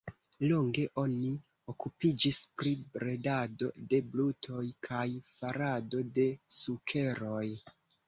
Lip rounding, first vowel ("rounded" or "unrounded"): rounded